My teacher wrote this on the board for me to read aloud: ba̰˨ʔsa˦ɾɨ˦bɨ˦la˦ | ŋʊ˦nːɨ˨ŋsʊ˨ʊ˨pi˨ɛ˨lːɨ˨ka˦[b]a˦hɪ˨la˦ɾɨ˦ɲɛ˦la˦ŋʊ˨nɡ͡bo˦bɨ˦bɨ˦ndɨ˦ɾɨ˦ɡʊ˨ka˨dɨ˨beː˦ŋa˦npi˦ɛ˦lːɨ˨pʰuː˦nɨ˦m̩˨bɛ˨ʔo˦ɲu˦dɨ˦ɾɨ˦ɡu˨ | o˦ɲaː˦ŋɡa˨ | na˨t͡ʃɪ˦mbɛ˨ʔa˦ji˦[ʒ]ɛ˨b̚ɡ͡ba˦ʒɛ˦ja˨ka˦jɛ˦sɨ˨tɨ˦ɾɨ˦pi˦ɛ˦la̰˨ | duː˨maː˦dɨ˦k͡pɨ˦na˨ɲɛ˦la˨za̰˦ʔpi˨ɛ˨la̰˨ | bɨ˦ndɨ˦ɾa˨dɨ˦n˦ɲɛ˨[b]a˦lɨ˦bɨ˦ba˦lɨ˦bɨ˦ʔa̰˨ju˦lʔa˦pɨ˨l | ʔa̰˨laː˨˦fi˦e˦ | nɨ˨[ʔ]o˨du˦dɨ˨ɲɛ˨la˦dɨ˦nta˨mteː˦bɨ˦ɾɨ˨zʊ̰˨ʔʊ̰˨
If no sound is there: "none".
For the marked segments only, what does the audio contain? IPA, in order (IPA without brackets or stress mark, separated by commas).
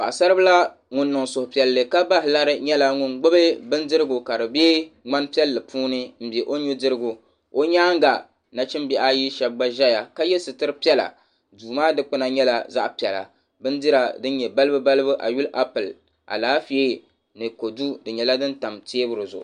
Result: b, ʃ, b, k